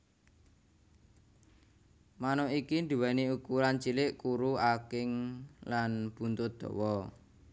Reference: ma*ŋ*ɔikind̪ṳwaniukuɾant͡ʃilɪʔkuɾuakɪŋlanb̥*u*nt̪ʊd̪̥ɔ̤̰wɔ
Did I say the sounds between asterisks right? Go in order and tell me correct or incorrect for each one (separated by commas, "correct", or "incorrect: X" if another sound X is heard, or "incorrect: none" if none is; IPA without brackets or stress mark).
incorrect: n, correct